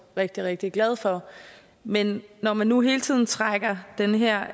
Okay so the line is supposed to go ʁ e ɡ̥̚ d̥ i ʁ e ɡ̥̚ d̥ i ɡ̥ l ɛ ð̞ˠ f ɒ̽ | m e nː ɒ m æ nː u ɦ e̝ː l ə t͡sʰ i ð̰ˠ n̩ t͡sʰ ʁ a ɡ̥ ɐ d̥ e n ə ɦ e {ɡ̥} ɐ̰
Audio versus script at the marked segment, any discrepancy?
yes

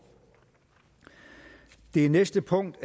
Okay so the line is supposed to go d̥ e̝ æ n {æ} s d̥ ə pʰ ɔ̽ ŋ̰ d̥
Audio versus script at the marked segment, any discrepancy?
yes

